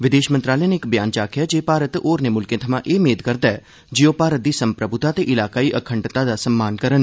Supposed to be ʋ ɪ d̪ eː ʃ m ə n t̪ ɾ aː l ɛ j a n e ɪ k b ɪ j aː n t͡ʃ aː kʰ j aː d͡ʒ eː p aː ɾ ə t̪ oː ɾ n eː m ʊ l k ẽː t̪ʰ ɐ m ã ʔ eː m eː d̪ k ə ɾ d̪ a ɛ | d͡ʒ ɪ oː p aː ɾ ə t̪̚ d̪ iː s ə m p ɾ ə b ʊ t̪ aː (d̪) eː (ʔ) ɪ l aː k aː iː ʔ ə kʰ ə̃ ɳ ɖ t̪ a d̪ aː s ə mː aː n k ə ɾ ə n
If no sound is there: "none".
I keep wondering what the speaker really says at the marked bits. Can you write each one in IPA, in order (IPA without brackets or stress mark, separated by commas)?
t̪, ʔ